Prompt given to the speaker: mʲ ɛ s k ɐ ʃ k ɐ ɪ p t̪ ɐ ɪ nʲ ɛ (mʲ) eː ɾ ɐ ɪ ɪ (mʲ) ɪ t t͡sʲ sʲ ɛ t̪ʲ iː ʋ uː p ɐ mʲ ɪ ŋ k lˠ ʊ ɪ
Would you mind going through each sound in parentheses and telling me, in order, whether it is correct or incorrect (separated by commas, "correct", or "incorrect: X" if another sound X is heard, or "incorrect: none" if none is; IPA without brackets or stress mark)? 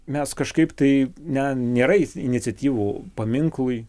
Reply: incorrect: nʲ, incorrect: nʲ